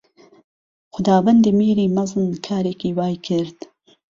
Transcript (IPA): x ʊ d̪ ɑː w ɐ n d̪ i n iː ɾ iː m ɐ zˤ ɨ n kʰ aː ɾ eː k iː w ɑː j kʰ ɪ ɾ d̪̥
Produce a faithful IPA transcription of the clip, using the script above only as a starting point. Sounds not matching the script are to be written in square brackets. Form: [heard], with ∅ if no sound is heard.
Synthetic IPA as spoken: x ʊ d̪ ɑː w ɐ n d̪ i [m] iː ɾ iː m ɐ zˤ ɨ n kʰ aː ɾ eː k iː w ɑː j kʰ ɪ ɾ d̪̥